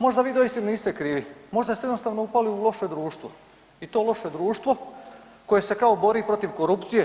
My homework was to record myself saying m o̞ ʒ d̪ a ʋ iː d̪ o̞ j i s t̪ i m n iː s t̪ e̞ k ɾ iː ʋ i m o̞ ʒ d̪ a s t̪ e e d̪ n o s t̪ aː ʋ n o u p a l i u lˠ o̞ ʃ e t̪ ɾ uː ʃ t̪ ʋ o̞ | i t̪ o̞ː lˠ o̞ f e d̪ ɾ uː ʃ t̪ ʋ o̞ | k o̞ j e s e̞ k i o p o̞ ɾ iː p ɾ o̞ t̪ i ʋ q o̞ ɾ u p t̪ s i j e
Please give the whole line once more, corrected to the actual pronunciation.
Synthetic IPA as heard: m o̞ ʒ d̪ a ʋ iː d̪ o̞ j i s t̪ i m n iː s t̪ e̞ k ɾ iː ʋ i m o̞ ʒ d̪ a s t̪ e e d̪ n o s t̪ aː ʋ n o u p a l i u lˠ o̞ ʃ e d̪ ɾ uː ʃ t̪ ʋ o̞ | i t̪ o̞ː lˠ o̞ ʃ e d̪ ɾ uː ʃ t̪ ʋ o̞ | k o̞ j e s e̞ k a o b o̞ ɾ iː p ɾ o̞ t̪ i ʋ k o̞ ɾ u p t̪ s i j e